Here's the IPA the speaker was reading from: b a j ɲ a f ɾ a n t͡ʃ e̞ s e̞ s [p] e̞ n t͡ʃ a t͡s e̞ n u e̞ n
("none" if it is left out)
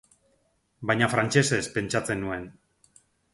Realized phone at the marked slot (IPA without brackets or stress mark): p